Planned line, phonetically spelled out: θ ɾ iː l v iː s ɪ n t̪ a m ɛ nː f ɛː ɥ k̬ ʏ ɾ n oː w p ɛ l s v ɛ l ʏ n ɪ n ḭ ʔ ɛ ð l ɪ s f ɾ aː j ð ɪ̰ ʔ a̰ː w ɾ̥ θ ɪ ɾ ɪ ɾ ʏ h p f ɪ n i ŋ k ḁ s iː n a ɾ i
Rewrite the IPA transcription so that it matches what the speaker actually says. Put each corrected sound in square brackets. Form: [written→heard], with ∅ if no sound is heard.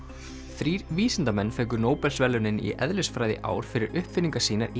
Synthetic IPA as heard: θ ɾ iː [l→ɾ] v iː s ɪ n t̪ a m ɛ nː f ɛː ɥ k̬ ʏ ɾ n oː w p ɛ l s v ɛ l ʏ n ɪ n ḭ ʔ ɛ ð l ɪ s f ɾ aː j ð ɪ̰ ʔ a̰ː w ɾ̥ [θ→f] ɪ ɾ ɪ ɾ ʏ h p f ɪ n i ŋ k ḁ s iː n a ɾ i